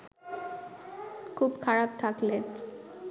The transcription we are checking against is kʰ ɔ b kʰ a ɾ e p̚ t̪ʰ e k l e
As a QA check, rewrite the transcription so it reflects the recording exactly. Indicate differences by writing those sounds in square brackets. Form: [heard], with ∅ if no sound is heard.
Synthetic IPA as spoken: kʰ [u] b kʰ a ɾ [a] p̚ t̪ʰ [a] k l e